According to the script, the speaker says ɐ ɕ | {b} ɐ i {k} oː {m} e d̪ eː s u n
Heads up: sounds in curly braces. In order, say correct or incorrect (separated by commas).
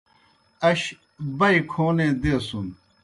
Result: correct, incorrect, incorrect